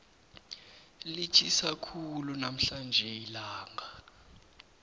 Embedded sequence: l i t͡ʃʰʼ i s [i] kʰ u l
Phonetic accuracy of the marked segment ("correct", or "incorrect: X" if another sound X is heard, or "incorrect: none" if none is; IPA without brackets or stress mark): incorrect: a